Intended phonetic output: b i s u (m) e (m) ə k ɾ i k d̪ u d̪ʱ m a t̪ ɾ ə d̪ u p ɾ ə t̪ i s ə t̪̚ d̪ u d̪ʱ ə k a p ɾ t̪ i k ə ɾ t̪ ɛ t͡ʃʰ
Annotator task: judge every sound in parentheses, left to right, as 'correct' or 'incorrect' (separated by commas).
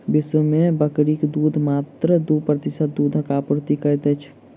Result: correct, incorrect